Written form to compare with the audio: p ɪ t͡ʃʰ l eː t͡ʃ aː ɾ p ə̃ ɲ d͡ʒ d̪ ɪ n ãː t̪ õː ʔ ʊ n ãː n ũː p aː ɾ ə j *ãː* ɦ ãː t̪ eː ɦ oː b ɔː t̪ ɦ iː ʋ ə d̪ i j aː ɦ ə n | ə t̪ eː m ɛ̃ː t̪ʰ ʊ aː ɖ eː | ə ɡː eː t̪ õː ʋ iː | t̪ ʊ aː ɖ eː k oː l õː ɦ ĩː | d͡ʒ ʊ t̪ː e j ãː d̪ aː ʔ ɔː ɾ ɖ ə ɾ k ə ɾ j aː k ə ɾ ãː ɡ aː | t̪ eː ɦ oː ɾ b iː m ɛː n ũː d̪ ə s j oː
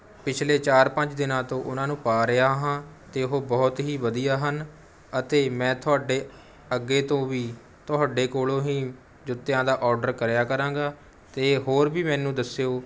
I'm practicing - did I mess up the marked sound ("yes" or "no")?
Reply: yes